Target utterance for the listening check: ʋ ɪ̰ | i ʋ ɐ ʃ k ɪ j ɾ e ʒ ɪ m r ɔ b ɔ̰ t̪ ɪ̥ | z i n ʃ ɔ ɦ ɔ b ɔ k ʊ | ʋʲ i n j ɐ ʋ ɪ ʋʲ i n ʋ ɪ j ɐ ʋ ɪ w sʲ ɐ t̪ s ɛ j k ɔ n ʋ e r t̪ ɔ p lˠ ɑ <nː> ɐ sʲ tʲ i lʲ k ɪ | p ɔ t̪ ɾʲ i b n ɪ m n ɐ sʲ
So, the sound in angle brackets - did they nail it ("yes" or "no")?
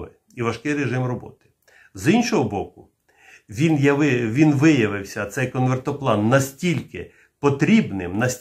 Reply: yes